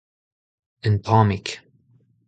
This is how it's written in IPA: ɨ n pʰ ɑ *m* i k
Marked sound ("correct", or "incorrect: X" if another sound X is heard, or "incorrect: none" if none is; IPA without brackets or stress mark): correct